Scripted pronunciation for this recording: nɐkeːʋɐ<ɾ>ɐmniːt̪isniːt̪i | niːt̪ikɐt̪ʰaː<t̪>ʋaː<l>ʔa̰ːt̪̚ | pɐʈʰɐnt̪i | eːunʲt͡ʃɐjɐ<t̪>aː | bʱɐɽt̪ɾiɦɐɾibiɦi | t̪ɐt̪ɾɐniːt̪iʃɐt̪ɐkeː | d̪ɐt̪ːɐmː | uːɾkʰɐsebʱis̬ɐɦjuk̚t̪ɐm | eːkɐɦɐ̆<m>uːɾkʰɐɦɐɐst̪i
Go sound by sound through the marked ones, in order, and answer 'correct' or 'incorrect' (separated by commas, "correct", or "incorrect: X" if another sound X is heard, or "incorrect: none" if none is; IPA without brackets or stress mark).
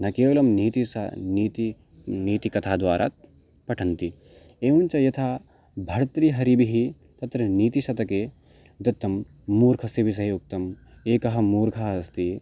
incorrect: l, incorrect: d̪, incorrect: ɾ, incorrect: t̪ʰ, correct